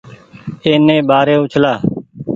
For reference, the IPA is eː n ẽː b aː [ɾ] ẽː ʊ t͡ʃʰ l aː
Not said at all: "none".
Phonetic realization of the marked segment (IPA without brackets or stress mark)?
ɾ